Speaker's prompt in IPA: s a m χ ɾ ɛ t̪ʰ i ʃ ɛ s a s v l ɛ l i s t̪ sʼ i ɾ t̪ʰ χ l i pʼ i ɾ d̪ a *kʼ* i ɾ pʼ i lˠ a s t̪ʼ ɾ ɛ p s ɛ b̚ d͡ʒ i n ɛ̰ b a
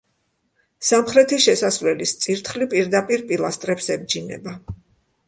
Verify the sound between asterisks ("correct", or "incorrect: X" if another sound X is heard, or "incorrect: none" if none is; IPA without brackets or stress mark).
incorrect: pʼ